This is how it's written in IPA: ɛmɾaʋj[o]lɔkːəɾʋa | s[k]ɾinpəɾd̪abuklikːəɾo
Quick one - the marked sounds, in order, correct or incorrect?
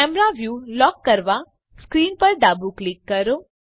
incorrect: u, correct

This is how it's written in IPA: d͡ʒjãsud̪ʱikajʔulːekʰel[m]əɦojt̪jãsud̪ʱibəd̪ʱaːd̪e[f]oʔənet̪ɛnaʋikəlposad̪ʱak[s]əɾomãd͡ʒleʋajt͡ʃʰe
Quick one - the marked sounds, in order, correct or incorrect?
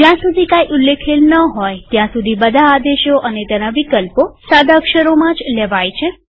incorrect: n, incorrect: ʃ, incorrect: ʃ

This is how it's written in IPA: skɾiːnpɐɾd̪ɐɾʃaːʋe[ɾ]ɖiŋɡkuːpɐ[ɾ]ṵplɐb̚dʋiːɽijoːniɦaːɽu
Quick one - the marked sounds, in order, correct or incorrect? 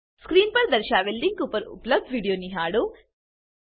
incorrect: l, correct

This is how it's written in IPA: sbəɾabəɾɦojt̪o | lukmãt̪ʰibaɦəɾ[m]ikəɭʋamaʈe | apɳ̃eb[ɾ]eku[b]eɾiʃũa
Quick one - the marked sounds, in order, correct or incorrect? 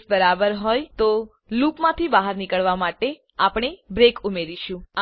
incorrect: n, correct, incorrect: m

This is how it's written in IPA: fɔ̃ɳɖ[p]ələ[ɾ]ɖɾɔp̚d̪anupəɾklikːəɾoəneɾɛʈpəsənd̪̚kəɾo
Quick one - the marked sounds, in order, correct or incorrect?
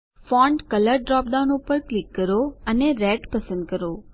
incorrect: k, correct

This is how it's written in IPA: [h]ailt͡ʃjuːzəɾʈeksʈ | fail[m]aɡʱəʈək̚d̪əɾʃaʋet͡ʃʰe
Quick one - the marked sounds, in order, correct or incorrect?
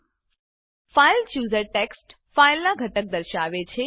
incorrect: f, incorrect: n

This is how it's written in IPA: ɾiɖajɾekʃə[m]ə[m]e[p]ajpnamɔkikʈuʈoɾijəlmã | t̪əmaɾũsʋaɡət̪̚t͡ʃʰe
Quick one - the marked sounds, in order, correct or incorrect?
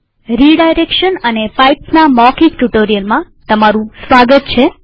incorrect: n, incorrect: n, correct

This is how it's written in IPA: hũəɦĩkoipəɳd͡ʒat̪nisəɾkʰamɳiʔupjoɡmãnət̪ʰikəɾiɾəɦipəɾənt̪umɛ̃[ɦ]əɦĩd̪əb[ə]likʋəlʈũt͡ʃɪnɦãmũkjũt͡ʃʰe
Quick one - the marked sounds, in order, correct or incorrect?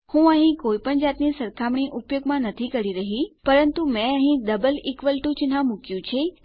incorrect: none, correct

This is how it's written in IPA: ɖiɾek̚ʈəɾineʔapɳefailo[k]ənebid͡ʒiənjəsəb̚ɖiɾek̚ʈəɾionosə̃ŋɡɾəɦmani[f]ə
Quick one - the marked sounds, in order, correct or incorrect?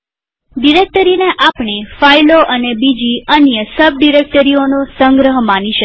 incorrect: ʔ, incorrect: ʃ

